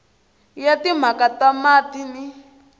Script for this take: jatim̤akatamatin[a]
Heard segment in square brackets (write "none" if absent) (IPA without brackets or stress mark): i